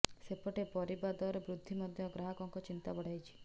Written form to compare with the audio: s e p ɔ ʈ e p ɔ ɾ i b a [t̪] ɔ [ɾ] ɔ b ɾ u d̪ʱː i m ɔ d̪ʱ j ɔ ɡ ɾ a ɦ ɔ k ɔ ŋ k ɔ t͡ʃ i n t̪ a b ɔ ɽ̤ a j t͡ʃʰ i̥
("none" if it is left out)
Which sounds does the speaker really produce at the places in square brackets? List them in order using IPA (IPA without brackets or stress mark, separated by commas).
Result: d̪, ɾ